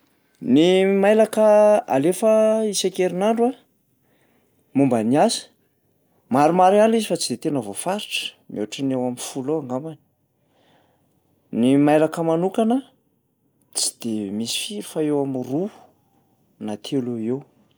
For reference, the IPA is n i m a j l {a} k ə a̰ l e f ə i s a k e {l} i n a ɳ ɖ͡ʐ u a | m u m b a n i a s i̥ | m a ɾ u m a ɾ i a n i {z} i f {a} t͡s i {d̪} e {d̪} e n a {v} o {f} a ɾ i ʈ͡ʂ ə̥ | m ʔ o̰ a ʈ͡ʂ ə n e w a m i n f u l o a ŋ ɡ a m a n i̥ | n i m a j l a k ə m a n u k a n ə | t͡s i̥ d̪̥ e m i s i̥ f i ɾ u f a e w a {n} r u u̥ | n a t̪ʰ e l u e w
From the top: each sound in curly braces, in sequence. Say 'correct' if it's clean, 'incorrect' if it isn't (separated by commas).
correct, incorrect, correct, correct, correct, incorrect, correct, correct, incorrect